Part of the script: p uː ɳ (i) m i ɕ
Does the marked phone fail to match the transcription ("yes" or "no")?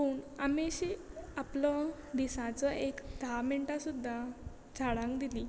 yes